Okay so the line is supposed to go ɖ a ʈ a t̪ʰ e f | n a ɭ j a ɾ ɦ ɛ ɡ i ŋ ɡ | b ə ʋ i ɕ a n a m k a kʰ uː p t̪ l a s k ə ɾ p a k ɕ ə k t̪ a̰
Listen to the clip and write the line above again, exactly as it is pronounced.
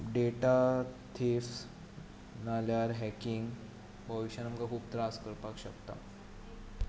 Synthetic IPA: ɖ e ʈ a t̪ʰ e f | n a l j a ɾ ɦ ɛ k i ŋ ɡ | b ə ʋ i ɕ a n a m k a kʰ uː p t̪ ɾ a s k ə ɾ p a k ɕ ə k t̪ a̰